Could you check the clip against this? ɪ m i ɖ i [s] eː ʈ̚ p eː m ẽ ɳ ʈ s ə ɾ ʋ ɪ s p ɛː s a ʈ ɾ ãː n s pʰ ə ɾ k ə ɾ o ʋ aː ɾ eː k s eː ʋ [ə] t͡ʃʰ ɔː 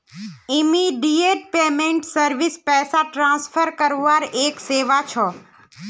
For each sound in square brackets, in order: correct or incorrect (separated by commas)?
incorrect, incorrect